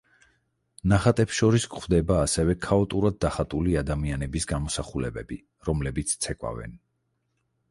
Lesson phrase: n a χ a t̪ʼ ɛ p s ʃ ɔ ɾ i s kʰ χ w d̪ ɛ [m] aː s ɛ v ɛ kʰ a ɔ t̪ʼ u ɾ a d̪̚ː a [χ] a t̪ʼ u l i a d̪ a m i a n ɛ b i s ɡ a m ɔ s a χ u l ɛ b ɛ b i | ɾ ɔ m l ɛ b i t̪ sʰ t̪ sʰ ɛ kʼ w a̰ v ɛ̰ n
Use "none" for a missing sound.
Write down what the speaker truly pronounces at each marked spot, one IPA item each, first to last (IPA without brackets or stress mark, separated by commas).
b, χ